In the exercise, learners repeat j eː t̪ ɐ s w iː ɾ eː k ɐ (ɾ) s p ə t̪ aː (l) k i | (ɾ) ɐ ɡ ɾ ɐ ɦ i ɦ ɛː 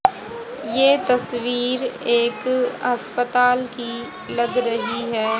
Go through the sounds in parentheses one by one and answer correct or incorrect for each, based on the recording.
incorrect: none, correct, incorrect: l

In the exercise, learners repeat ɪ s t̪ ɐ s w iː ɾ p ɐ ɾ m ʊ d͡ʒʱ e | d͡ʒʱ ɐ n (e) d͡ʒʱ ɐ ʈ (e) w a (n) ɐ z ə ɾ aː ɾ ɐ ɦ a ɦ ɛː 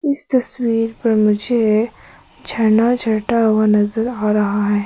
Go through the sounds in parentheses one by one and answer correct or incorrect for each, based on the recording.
incorrect: a, incorrect: a, correct

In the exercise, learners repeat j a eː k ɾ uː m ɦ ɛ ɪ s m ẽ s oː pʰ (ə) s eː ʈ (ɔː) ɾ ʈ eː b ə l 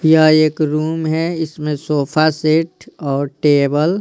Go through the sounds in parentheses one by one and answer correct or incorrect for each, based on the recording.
incorrect: a, correct

